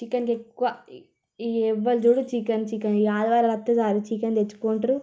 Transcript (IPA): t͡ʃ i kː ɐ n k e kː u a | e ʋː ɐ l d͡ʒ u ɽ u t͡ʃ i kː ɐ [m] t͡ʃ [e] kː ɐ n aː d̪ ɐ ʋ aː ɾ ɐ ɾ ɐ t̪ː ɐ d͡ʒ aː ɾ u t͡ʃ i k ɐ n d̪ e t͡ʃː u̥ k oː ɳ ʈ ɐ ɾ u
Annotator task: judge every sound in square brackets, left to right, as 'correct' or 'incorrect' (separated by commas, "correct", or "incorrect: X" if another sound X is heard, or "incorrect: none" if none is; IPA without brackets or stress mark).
incorrect: n, incorrect: i